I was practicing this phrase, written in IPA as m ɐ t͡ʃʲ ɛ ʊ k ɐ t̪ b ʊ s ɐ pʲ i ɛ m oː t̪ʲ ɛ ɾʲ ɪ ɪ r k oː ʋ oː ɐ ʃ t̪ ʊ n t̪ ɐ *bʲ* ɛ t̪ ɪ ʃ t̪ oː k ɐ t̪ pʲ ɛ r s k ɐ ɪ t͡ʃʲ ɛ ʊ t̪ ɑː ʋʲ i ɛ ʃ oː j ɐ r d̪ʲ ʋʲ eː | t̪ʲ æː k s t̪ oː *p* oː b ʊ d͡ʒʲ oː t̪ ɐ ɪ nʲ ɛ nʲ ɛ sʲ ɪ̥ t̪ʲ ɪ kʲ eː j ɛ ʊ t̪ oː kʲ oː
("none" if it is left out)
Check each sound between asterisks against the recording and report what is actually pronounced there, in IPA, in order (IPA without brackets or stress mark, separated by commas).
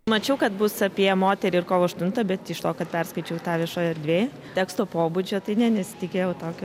bʲ, p